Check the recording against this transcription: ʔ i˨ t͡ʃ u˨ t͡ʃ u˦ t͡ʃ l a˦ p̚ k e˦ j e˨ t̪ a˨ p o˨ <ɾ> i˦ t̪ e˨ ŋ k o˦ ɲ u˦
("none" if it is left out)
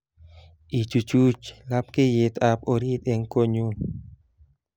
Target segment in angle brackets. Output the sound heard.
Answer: ɾ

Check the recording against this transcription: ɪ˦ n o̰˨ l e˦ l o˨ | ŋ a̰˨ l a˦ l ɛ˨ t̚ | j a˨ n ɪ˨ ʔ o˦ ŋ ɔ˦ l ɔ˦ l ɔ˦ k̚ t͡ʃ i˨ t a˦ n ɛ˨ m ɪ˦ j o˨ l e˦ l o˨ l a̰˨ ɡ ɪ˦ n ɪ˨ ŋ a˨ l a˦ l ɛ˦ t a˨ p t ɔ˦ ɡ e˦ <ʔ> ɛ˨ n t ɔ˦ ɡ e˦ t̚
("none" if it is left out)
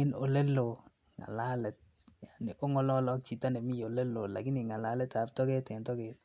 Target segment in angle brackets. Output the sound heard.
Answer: t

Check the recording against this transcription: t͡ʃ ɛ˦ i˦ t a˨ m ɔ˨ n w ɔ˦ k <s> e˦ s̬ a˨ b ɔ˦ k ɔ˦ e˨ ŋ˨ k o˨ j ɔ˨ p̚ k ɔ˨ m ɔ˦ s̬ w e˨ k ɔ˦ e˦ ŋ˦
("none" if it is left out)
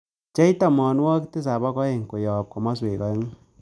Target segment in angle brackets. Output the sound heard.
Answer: t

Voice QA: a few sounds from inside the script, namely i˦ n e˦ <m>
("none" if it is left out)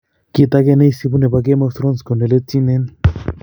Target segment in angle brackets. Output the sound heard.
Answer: n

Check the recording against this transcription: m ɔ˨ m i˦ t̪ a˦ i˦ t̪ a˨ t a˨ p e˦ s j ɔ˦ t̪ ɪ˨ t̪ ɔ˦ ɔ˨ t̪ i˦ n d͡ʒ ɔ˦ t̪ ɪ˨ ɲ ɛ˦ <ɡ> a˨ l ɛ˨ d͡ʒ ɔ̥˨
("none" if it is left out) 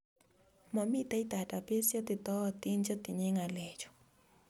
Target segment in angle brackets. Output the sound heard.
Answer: ŋ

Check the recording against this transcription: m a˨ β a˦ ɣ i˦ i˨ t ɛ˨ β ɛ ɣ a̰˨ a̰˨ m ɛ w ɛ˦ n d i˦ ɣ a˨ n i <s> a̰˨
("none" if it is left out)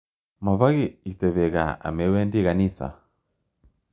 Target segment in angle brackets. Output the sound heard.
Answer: s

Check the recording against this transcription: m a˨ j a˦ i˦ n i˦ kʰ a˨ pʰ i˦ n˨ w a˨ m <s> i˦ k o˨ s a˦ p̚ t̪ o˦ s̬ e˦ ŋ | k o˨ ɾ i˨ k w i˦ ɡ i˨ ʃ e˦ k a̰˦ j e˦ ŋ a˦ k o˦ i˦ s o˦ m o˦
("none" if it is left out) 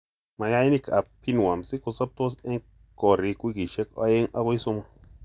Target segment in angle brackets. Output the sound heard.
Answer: s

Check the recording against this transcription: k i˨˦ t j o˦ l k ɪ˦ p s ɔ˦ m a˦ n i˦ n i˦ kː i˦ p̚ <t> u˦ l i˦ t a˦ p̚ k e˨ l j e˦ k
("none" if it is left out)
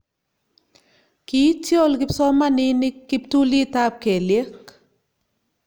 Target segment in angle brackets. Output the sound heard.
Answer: t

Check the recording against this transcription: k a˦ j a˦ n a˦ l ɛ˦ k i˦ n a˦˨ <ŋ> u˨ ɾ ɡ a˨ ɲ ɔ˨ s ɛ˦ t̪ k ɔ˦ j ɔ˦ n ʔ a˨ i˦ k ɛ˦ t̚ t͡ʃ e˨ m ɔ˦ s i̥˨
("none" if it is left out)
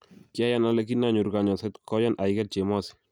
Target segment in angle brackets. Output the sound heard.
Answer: ɲ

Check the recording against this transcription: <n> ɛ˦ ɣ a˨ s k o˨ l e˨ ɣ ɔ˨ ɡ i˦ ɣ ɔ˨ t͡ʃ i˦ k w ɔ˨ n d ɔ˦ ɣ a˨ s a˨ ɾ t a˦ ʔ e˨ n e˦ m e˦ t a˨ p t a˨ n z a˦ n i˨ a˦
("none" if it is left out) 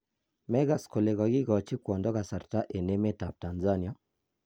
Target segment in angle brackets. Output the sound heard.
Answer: m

